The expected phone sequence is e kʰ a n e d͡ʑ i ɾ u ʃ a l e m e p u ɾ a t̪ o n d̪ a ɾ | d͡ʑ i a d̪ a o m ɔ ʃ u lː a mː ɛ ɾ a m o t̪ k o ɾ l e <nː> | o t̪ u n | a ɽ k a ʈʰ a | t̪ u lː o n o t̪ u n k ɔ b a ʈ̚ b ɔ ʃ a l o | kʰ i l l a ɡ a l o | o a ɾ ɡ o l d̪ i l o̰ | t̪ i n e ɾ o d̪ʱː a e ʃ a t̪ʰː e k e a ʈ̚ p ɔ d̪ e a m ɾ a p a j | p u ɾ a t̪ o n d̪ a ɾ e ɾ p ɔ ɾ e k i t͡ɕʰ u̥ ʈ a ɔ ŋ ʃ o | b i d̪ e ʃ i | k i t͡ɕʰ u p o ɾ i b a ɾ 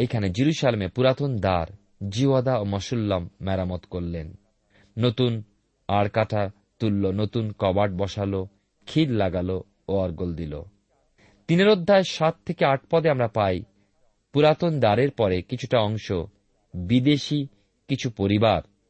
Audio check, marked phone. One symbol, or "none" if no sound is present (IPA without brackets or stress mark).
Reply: nː